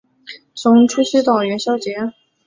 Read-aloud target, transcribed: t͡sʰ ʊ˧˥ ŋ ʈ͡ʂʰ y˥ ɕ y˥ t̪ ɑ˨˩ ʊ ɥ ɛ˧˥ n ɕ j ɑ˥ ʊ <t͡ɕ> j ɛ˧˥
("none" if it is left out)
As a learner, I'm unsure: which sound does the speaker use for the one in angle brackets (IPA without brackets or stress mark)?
t͡ɕ